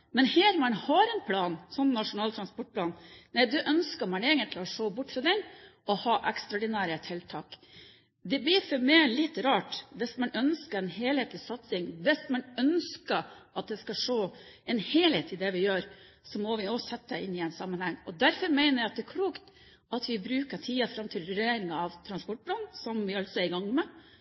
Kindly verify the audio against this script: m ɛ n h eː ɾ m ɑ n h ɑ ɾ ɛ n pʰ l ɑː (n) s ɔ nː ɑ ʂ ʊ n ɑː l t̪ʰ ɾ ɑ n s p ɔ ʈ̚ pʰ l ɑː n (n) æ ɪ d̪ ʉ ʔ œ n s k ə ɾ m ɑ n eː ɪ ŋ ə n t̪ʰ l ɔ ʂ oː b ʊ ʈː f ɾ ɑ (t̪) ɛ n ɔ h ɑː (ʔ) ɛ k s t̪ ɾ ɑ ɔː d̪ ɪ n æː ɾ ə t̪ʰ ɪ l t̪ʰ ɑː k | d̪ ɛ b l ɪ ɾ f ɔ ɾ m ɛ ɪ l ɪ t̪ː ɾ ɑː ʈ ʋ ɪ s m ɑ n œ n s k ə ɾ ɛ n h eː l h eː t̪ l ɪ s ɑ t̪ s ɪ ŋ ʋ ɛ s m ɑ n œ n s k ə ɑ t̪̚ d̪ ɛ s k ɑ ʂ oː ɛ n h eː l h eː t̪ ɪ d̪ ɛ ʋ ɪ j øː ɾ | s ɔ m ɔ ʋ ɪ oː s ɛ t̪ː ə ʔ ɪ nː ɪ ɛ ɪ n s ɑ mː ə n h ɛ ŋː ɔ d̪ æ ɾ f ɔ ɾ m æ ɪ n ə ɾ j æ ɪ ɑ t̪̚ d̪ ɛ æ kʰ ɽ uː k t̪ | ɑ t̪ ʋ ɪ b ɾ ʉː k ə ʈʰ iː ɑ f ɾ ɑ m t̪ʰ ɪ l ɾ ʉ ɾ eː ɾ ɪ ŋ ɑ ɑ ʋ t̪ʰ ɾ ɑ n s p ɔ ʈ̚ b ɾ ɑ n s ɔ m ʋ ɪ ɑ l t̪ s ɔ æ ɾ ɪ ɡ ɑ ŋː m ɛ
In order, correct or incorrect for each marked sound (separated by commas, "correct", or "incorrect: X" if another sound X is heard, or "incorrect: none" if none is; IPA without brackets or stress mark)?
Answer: correct, correct, incorrect: d̪, correct